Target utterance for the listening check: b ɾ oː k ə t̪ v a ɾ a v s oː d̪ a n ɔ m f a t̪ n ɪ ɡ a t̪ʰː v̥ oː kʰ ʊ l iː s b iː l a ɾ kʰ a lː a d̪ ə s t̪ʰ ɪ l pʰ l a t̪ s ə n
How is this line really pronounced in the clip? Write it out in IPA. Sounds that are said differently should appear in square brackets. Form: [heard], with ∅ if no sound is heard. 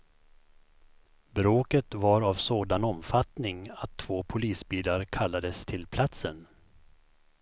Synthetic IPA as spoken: b ɾ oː k ə t̪ v a ɾ a v s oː d̪ a n ɔ m f a t̪ n ɪ [ŋ] a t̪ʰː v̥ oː [pʰ] ʊ l iː s b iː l a ɾ kʰ a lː a d̪ ə s t̪ʰ ɪ l pʰ l a t̪ s ə n